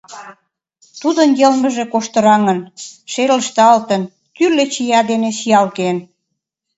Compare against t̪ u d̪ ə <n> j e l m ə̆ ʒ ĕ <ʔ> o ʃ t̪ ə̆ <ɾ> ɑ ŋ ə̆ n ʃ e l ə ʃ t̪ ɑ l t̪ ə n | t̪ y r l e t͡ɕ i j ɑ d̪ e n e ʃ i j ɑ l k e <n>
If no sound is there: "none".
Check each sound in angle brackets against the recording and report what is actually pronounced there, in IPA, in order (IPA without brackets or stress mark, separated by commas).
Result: n, k, ɾ, n